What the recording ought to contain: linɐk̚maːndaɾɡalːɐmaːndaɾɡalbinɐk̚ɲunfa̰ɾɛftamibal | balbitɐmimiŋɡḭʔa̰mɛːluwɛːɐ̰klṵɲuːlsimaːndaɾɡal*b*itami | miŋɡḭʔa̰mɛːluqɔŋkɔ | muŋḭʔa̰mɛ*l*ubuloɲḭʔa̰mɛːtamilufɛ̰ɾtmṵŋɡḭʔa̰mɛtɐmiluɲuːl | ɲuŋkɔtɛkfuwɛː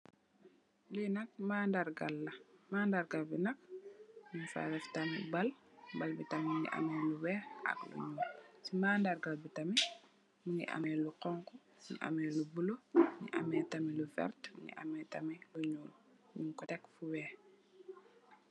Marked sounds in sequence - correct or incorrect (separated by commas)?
correct, correct